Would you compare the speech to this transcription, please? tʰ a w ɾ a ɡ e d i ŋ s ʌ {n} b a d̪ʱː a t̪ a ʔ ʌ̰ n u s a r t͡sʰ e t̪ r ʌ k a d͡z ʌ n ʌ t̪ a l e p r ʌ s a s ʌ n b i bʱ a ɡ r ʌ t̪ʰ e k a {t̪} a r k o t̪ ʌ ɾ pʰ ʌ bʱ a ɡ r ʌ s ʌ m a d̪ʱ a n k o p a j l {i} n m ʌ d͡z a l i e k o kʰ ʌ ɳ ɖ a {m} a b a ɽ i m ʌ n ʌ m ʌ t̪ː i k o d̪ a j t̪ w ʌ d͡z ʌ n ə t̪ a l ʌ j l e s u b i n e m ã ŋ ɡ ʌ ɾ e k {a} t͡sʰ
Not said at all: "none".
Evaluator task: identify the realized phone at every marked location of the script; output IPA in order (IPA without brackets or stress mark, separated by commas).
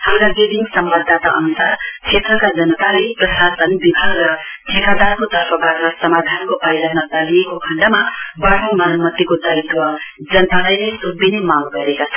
m, d̪, a, m, a